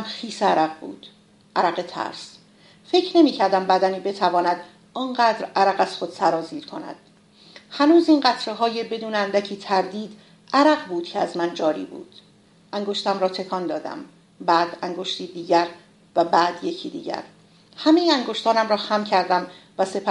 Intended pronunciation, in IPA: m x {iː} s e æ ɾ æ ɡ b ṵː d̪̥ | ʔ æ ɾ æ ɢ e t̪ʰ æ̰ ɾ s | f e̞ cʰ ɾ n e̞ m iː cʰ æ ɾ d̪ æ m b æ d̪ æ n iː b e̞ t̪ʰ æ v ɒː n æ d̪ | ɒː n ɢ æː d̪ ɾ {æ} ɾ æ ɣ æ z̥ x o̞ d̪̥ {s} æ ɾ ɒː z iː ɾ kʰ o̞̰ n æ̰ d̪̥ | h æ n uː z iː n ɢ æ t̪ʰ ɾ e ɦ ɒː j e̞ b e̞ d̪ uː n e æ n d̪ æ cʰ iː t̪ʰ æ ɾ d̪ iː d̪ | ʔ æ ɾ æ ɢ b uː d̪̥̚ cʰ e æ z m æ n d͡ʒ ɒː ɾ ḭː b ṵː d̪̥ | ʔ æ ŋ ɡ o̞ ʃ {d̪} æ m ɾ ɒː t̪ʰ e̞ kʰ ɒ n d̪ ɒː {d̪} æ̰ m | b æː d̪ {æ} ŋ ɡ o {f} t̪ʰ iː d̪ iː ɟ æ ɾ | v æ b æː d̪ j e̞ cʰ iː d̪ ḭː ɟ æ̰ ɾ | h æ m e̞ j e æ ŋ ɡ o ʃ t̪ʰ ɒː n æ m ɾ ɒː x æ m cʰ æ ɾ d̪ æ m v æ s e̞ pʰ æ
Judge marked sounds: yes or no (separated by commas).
yes, yes, yes, no, yes, yes, no